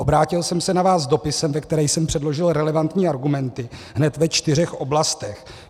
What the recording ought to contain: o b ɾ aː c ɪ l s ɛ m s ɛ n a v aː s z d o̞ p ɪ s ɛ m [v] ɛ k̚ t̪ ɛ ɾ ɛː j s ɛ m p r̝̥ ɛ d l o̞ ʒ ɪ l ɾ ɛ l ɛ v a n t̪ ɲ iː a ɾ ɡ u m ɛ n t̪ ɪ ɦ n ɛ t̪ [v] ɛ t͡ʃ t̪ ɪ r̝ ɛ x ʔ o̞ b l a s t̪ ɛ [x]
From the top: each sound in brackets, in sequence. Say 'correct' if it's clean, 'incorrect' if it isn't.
correct, correct, correct

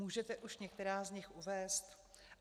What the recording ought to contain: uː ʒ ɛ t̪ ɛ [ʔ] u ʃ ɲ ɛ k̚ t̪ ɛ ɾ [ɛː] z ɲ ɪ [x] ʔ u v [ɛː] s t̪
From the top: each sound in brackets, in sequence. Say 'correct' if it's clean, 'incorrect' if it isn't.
correct, incorrect, correct, correct

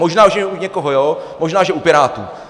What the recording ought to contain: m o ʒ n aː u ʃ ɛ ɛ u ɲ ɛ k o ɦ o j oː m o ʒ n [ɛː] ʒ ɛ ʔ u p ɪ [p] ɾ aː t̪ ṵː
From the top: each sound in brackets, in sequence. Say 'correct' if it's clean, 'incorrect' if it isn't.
incorrect, incorrect

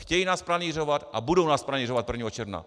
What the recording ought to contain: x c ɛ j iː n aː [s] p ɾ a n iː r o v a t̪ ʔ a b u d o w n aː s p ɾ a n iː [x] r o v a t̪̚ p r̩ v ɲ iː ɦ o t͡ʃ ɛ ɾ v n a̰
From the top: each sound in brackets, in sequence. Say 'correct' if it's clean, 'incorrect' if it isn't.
correct, incorrect

